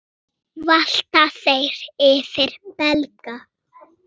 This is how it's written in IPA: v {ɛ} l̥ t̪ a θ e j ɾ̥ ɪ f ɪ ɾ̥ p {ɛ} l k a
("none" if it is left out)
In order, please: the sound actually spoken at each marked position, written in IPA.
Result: a, ɛ

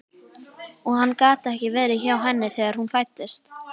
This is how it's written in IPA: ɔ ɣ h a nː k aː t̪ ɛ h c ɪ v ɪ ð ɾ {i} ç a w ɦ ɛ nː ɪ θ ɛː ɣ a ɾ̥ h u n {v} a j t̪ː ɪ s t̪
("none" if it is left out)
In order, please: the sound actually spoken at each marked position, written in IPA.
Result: ɪ, f

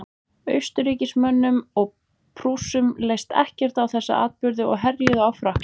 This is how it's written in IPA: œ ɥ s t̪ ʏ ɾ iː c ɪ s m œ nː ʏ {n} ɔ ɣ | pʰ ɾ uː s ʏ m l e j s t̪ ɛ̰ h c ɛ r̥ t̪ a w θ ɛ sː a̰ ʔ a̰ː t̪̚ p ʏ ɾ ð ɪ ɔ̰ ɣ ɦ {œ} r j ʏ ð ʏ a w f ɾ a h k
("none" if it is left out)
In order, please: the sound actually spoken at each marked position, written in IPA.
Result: m, ɛ

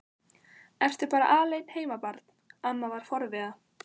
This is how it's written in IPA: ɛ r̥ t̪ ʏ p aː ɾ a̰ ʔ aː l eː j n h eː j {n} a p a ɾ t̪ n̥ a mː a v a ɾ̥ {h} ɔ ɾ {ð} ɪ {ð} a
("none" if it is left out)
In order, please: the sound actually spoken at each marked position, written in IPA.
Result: m, f, v, ð

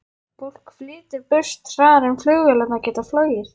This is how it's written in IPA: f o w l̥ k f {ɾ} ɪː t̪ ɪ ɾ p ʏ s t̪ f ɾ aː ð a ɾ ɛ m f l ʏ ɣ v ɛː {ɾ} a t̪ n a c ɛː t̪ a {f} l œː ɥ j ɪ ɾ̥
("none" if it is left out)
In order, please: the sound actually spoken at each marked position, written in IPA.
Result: l, l, f

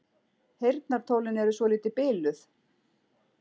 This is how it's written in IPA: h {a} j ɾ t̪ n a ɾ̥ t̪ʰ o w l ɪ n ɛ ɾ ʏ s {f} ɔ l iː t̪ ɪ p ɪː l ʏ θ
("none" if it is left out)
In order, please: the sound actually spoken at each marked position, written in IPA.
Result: e, v

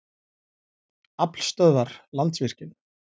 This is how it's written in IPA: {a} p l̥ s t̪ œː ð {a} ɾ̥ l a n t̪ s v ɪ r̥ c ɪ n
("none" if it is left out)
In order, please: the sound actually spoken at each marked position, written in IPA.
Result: a, a

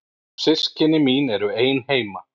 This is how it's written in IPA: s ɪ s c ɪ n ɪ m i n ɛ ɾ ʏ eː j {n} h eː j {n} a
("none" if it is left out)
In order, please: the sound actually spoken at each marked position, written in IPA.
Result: n, m

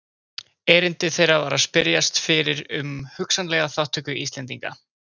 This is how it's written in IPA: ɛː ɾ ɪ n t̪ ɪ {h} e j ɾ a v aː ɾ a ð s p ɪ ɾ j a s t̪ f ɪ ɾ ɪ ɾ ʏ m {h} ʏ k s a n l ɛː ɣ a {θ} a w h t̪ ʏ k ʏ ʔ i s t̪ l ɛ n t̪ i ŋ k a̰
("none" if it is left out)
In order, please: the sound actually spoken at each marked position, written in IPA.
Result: θ, h, θ

